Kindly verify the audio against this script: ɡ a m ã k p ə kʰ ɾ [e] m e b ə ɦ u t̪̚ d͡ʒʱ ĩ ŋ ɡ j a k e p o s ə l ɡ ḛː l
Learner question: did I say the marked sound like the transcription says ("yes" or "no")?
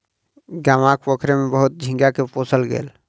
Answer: yes